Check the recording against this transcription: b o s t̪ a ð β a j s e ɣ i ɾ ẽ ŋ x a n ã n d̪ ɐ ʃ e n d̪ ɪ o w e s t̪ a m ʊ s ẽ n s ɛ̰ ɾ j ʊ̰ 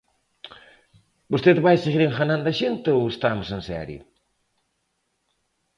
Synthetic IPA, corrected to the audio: b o s t̪ e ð β a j s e ɣ i ɾ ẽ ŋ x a n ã n d̪ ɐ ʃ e n t̪ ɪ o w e s t̪ a m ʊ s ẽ n s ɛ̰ ɾ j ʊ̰

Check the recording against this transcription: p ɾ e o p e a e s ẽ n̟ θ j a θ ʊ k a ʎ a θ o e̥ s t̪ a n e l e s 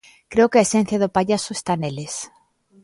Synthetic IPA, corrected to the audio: k ɾ e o k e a e s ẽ n̟ θ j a ð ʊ p a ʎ a s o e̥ s t̪ a n e l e s

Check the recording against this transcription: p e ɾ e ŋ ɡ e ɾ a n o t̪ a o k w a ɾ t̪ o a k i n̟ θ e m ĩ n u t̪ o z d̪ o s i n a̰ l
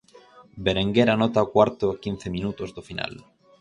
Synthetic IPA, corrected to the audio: b e ɾ e ŋ ɡ e ɾ a n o t̪ a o k w a ɾ t̪ o a k i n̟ θ e m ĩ n u t̪ o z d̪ o f i n a̰ l

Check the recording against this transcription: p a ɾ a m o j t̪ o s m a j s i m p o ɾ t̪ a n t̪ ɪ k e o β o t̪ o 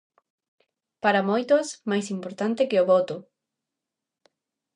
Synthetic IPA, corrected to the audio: p a ɾ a m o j t̪ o s m a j s i m p o ɾ t̪ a n t̪ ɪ k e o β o t̪ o

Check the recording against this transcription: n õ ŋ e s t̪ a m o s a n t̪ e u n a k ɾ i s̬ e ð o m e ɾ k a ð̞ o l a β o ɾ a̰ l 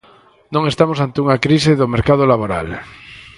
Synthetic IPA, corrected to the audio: n õ ŋ e s t̪ a m o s a n t̪ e u ŋ a k ɾ i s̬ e ð o m e ɾ k a ð̞ o l a β o ɾ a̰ l

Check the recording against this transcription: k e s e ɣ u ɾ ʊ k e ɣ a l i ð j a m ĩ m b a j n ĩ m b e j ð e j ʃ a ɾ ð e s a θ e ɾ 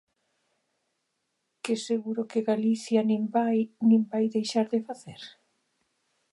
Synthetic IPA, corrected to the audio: k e s e ɣ u ɾ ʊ k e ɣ a l i θ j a n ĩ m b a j n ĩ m b a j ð e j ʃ a ɾ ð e f a θ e ɾ

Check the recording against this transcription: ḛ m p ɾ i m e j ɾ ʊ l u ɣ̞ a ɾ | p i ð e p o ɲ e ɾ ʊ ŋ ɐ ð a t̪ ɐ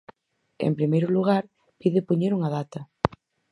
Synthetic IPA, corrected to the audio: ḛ m p ɾ i m e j ɾ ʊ l u ɣ̞ a ɾ | p i ð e p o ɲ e ɾ u ŋ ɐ ð a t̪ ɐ

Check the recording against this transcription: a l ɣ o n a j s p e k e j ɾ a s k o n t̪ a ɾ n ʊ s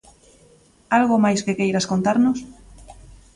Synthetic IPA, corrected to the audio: a l ɣ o m a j s k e k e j ɾ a s k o n t̪ a ɾ n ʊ s

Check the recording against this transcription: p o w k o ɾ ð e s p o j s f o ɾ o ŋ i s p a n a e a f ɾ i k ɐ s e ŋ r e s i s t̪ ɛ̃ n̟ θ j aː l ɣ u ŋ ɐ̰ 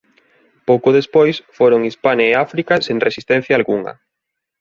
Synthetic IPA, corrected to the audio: p o w k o ð e s p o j s f o ɾ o ŋ i s p a n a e a f ɾ i k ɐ s e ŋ r e s i s t̪ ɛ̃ n̟ θ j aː l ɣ u ŋ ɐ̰

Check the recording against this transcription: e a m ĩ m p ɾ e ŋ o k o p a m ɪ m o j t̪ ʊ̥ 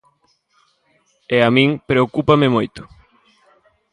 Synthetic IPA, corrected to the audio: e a m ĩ ŋ p ɾ e o k u p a m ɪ m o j t̪ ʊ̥

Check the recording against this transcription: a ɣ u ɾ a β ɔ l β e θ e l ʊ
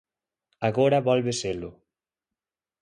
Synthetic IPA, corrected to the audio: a ɣ o ɾ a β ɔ l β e s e l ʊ

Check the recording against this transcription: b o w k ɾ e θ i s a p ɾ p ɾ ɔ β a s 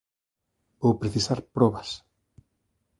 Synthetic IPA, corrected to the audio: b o w p ɾ e θ i s a ɾ p ɾ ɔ β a s

